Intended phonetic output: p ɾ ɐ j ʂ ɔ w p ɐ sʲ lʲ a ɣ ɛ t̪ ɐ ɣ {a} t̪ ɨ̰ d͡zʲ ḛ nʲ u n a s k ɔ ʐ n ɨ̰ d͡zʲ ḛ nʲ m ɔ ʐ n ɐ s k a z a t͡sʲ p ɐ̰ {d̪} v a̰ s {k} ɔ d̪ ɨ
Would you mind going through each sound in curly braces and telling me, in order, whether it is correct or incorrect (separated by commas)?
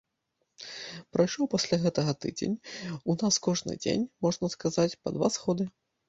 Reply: incorrect, correct, incorrect